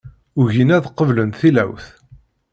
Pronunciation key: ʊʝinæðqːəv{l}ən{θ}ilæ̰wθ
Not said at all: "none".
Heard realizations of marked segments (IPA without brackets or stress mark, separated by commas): l, θ